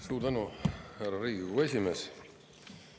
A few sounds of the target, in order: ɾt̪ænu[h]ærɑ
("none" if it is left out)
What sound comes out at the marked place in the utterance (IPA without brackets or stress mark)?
h